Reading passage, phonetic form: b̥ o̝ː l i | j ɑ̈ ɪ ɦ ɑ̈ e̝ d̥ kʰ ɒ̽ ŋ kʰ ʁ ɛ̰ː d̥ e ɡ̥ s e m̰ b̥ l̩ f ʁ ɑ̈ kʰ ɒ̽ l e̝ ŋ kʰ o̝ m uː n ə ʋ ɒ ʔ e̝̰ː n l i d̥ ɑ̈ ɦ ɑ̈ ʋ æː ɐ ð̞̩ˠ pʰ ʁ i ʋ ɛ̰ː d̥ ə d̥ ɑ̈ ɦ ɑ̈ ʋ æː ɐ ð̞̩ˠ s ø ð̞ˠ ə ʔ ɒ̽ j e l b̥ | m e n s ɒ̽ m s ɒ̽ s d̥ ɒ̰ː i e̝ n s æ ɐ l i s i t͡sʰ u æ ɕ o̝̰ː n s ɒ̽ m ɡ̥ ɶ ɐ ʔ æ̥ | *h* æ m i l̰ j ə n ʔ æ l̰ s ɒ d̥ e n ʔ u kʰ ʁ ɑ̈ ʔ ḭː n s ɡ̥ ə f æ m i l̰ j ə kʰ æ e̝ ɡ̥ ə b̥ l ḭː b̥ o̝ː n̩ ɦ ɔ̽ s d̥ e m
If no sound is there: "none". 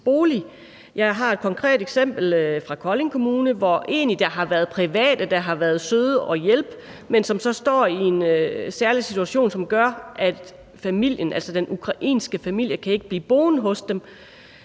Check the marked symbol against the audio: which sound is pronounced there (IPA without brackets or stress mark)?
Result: f